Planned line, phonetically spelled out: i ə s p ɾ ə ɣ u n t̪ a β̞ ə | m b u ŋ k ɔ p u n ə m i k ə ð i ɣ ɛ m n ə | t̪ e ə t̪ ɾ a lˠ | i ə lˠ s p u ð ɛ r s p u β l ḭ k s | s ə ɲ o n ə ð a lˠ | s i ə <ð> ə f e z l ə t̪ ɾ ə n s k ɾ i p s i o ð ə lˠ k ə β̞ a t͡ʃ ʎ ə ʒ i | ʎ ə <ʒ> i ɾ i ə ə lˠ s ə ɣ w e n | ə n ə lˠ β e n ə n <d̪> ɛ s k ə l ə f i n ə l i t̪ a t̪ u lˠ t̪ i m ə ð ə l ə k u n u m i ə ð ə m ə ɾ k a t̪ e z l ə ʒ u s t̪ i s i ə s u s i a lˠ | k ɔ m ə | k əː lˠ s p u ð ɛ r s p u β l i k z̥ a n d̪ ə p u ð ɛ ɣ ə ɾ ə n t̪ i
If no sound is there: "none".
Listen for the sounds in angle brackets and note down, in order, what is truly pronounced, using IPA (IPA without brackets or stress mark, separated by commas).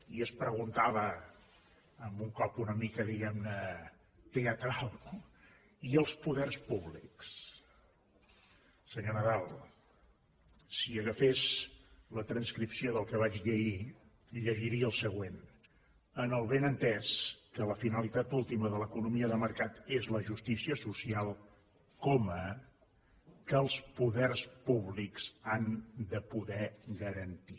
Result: ɣ, ʒ, t̪